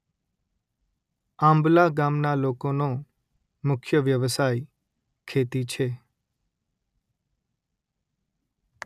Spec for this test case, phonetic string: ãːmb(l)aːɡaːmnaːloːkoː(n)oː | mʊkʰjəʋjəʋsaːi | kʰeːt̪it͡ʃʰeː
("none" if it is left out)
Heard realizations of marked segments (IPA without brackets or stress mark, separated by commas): l, n